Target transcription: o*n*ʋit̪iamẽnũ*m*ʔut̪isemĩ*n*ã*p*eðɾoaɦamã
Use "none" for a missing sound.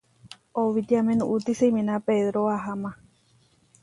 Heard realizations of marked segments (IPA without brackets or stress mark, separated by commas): none, none, n, p